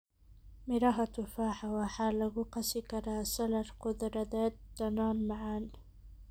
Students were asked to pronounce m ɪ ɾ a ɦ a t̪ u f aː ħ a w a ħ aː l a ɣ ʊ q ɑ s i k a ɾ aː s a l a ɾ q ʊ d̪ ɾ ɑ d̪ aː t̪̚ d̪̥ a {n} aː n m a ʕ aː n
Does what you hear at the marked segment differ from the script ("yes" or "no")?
no